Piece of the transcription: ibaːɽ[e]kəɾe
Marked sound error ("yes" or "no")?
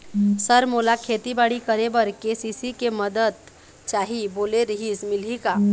yes